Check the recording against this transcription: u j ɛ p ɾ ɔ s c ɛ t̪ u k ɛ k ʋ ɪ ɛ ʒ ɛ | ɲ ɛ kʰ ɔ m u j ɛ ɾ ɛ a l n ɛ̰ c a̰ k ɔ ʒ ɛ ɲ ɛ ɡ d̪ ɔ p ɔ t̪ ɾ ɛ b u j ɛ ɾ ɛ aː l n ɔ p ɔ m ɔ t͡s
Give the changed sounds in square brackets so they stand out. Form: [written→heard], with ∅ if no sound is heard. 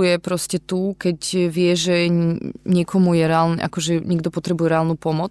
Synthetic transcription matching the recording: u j ɛ p ɾ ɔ s c ɛ t̪ u k ɛ [k→c] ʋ ɪ ɛ ʒ ɛ | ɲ ɛ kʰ ɔ m u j ɛ ɾ ɛ a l n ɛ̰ [c→ʔ] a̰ k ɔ ʒ ɛ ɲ ɛ ɡ d̪ ɔ p ɔ t̪ ɾ ɛ b u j ɛ ɾ ɛ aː l n [ɔ→u] p ɔ m ɔ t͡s